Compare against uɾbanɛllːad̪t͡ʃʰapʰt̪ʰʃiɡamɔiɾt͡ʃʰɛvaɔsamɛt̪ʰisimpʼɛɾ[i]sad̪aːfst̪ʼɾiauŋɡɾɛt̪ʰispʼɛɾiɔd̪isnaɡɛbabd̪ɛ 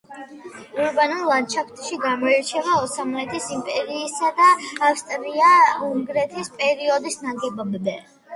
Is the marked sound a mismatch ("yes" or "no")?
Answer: yes